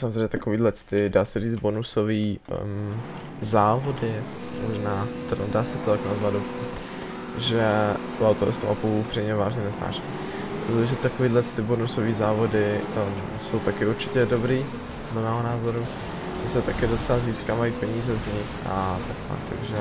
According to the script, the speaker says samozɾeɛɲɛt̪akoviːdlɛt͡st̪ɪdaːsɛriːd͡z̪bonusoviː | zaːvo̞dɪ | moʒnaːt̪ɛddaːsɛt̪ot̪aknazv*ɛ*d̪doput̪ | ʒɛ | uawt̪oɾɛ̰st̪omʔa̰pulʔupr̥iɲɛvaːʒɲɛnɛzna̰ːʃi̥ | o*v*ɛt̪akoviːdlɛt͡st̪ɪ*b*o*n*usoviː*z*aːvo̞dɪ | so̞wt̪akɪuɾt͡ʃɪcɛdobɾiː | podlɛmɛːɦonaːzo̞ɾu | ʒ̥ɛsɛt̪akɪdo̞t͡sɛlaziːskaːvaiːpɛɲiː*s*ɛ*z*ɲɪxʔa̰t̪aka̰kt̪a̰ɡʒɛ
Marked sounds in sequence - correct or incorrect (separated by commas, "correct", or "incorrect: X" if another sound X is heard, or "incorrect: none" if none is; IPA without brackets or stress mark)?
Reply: incorrect: a, incorrect: ʒ, correct, correct, correct, incorrect: z, correct